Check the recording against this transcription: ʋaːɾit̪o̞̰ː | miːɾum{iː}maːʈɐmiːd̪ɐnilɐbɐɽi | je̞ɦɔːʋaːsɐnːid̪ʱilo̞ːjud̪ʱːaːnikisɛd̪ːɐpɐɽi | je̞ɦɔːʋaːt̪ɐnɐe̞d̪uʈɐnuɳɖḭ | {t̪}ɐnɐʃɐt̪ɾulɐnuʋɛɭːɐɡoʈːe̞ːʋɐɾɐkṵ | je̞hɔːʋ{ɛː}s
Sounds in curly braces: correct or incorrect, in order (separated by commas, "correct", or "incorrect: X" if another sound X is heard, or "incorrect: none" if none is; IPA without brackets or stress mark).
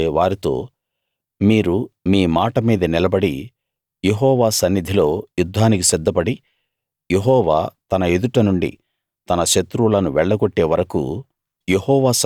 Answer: correct, correct, incorrect: aː